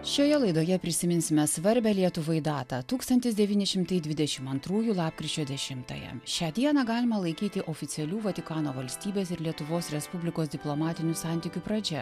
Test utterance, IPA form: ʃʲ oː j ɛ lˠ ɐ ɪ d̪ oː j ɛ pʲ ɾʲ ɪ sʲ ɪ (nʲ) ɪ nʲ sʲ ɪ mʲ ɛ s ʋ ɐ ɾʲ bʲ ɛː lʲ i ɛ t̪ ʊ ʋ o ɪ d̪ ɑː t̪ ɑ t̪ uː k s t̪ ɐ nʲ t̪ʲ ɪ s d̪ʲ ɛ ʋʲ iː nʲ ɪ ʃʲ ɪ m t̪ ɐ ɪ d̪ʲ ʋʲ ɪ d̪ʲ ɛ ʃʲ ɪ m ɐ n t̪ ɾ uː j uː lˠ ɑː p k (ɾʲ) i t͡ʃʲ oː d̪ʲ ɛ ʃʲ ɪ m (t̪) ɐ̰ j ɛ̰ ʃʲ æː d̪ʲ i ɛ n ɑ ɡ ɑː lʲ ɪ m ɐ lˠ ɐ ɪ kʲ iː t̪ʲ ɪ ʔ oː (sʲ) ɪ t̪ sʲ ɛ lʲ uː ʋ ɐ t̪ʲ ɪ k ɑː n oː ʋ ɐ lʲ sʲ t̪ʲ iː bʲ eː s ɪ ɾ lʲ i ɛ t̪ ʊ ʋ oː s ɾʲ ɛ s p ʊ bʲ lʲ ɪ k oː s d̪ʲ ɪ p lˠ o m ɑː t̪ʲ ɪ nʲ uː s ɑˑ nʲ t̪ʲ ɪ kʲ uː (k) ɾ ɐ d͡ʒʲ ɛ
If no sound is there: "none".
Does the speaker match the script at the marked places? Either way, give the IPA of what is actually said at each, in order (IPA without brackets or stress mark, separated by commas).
mʲ, ɾʲ, t̪, fʲ, p